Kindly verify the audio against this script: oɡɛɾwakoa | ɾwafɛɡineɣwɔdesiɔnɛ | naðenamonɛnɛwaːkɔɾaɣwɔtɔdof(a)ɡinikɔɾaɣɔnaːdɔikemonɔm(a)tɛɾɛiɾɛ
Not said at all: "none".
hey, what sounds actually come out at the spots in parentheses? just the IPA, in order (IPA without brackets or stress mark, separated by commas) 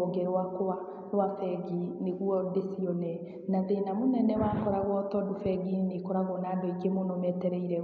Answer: ɛ, ɛ